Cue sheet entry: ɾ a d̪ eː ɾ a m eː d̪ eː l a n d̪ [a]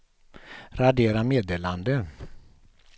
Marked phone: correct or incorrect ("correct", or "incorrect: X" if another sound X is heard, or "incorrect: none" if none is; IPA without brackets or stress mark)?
incorrect: ə